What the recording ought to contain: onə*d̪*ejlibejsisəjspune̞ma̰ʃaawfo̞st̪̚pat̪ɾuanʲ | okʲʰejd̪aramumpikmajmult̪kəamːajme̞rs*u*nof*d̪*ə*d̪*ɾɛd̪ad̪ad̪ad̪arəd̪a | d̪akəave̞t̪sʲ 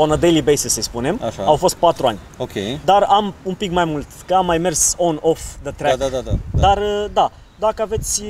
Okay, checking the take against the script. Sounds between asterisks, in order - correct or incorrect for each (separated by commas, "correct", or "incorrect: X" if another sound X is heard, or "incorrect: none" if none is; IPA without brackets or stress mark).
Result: correct, incorrect: o, correct, incorrect: t̪